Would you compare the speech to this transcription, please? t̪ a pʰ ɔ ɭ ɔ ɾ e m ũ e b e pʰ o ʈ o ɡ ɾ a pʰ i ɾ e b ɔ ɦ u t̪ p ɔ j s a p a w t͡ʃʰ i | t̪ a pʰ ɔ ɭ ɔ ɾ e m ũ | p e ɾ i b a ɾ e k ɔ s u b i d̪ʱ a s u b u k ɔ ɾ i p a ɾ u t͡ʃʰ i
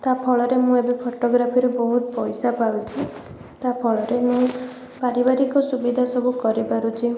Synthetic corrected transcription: t̪ a pʰ ɔ ɭ ɔ ɾ e m ũ e b e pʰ o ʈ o ɡ ɾ a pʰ i ɾ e b ɔ ɦ u t̪ p ɔ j s a p a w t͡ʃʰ i | t̪ a pʰ ɔ ɭ ɔ ɾ e m ũ | p a ɾ i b a ɾ i k ɔ s u b i d̪ʱ a s ɔ b u k ɔ ɾ i p a ɾ u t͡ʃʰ i

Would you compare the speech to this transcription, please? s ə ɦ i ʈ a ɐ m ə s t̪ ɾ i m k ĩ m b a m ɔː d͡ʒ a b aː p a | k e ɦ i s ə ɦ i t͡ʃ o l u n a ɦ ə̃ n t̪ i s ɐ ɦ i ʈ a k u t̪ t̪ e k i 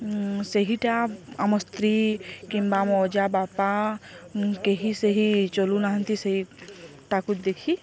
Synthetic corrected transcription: s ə ɦ i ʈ a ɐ m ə s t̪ ɾ i k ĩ m b a m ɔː d͡ʒ a b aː p a | k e ɦ i s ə ɦ i t͡ʃ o l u n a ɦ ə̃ n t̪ i s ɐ ɦ i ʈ a k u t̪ d̪ e kʰ i

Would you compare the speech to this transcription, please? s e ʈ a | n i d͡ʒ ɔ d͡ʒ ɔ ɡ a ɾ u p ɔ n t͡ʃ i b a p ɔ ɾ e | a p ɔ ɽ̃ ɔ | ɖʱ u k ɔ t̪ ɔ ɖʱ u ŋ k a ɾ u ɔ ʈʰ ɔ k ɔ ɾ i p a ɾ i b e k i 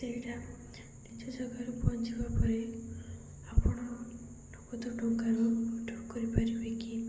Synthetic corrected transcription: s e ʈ a | n i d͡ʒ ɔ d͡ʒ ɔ ɡ a ɾ u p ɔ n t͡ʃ i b a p ɔ ɾ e | a p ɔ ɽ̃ ɔ | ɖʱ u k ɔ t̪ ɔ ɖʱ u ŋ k a ɾ u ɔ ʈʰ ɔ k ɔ ɾ i p a ɾ i b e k i

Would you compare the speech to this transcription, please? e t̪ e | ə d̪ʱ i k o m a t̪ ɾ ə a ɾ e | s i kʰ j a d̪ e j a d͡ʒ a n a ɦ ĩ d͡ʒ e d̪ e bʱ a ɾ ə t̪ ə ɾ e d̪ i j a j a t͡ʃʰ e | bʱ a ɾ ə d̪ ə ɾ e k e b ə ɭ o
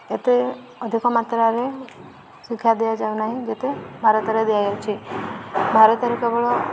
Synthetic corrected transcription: e t̪ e | ə d̪ʱ i k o m a t̪ ɾ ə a ɾ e | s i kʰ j a d̪ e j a d͡ʒ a n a ɦ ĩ d͡ʒ e t̪ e bʱ a ɾ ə t̪ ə ɾ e d̪ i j a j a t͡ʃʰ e | bʱ a ɾ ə t̪ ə ɾ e k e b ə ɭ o

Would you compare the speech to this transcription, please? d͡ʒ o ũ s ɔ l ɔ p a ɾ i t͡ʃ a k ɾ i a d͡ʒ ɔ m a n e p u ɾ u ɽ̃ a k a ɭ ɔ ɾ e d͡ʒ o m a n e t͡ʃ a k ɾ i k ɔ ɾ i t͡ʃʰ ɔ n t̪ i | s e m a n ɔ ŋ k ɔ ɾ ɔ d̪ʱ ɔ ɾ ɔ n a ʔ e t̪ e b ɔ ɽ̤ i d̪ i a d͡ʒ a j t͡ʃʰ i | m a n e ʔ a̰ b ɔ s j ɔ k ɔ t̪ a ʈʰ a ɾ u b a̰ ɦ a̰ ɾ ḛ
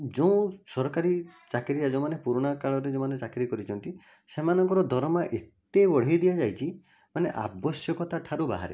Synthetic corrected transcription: d͡ʒ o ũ s ɔ ɾ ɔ k a ɾ i t͡ʃ a k ɾ i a d͡ʒ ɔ m a n e p u ɾ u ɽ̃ a k a ɭ ɔ ɾ e d͡ʒ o m a n e t͡ʃ a k ɾ i k ɔ ɾ i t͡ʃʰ ɔ n t̪ i | s e m a n ɔ ŋ k ɔ ɾ ɔ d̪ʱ ɔ ɾ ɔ m a ʔ e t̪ e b ɔ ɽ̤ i d̪ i a d͡ʒ a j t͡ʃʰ i | m a n e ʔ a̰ b ɔ s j ɔ k ɔ t̪ a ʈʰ a ɾ u b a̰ ɦ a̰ ɾ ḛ

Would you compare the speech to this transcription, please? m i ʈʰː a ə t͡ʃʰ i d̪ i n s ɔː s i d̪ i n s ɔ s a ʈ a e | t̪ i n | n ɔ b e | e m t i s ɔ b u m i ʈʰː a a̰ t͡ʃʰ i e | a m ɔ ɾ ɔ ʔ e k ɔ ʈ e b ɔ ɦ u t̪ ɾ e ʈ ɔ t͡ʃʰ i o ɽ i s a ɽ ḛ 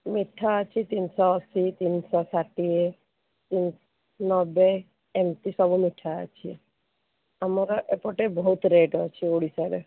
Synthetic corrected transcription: m i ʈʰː a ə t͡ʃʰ i t̪ i n s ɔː s i t̪ i n s ɔ s a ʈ i e | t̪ i n | n ɔ b e | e m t i s ɔ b u m i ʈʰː a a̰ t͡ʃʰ i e | a m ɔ ɾ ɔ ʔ e p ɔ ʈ e b ɔ ɦ u t̪ ɾ e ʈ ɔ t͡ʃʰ i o ɽ i s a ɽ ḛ

